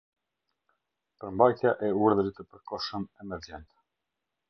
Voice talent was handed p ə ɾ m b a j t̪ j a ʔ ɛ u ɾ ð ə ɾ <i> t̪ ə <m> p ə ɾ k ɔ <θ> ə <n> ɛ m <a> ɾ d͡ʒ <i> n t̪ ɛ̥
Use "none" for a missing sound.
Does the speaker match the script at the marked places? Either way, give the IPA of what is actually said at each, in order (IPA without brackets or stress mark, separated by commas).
i, none, ʃ, m, ɛ, ɛ